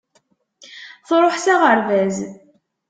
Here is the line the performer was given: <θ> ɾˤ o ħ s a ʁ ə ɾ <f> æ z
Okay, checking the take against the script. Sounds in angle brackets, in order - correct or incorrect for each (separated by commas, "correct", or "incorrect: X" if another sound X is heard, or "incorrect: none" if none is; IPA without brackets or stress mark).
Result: correct, incorrect: v